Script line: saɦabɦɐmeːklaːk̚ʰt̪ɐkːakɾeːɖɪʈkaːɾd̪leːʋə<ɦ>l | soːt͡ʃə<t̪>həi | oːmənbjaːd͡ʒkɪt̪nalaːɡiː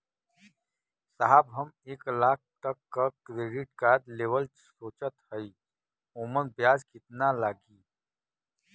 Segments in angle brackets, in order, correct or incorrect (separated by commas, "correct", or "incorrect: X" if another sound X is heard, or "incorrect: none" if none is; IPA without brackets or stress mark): incorrect: none, correct